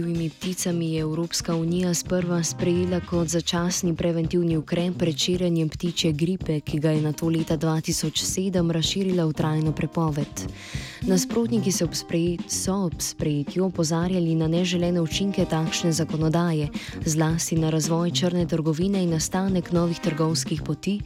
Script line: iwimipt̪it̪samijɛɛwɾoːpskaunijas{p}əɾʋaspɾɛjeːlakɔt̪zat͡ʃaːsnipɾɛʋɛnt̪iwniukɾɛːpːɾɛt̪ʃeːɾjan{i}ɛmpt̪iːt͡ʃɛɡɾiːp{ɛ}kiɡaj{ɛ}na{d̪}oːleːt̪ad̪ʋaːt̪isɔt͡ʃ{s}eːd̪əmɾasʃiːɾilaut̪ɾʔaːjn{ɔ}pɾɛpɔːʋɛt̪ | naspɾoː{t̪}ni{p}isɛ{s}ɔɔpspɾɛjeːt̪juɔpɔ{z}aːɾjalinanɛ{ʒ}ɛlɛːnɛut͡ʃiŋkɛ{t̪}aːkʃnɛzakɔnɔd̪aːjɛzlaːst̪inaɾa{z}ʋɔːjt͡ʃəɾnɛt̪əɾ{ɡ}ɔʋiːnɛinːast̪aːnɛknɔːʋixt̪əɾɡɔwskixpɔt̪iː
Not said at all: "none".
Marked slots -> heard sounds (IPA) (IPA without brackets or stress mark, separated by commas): p, j, ɛ, ɛ, t̪, s, ɔ, t̪, k, s, z, ʒ, t̪, z, ɡ